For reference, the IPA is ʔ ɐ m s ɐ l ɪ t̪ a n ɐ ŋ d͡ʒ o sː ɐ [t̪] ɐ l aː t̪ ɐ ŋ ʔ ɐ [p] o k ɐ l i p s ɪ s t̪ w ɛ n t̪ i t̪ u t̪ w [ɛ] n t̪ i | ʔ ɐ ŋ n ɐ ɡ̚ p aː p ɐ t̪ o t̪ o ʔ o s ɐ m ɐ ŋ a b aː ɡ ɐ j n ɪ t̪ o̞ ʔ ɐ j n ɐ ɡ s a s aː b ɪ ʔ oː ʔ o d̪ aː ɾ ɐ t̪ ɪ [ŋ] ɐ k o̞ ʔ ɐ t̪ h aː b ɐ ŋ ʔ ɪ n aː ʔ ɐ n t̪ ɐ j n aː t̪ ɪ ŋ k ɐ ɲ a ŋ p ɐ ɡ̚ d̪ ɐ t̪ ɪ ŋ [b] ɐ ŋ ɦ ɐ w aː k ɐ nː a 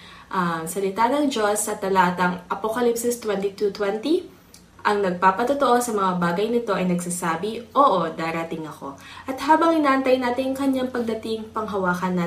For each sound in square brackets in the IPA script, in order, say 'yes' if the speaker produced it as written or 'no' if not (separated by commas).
yes, yes, yes, yes, no